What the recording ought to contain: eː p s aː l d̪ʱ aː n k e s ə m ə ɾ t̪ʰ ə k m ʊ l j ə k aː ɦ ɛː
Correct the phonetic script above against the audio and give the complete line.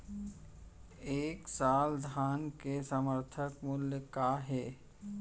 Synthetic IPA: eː k s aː l d̪ʱ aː n k e s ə m ə ɾ t̪ʰ ə k m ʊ l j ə k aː ɦ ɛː